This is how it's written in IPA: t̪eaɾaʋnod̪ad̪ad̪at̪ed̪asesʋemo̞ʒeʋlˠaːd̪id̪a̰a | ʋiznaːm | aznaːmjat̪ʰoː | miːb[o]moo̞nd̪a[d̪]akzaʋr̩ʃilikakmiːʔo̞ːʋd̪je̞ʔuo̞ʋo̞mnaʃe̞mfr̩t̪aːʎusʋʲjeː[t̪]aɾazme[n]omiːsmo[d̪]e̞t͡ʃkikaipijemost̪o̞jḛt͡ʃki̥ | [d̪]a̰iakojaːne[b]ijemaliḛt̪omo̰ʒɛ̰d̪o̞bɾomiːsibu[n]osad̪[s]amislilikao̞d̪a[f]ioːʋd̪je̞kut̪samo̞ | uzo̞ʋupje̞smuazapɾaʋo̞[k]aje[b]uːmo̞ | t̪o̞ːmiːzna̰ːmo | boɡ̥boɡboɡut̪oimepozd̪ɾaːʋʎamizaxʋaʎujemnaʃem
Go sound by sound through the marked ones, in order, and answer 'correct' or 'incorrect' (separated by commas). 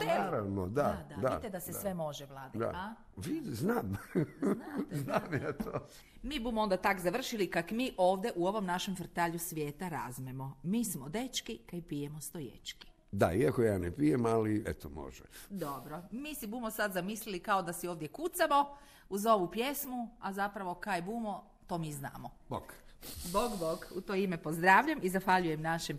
incorrect, incorrect, correct, incorrect, correct, correct, incorrect, incorrect, incorrect, incorrect, correct, correct